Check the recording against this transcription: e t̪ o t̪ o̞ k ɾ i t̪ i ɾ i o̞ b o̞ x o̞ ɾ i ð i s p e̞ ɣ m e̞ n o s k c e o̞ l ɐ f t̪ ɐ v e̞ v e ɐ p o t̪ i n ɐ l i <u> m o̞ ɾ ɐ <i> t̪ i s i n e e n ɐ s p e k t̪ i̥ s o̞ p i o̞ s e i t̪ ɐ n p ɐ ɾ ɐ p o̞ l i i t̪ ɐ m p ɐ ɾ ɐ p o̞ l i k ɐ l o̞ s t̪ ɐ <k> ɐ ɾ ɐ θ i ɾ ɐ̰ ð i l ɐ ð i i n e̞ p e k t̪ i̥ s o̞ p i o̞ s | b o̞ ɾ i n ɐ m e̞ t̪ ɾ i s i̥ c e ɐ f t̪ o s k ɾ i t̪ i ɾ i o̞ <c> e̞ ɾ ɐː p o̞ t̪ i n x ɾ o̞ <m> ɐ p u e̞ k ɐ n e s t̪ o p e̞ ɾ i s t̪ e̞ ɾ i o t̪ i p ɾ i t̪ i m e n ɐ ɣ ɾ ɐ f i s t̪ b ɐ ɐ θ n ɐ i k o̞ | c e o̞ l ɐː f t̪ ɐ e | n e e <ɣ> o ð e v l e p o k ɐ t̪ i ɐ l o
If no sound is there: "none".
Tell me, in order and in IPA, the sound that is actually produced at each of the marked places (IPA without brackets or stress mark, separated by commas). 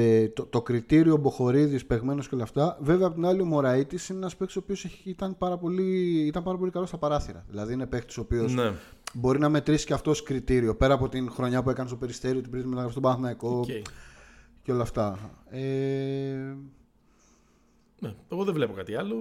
o, i, p, p, ɲ, ɣ